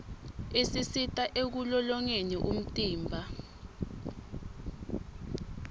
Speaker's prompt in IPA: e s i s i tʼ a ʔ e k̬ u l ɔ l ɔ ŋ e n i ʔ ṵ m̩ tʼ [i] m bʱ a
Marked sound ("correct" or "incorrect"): incorrect